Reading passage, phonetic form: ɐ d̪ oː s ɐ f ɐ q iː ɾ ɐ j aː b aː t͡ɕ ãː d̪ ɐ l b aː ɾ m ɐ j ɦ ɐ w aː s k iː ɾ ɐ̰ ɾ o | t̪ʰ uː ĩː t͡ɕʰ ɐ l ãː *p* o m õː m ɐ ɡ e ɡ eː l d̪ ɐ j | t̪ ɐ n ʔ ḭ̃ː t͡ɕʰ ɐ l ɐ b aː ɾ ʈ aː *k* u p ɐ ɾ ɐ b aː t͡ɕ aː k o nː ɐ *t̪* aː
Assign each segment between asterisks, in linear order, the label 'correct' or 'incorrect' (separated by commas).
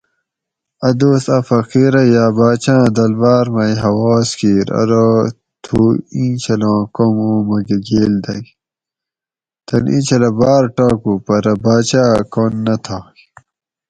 incorrect, correct, incorrect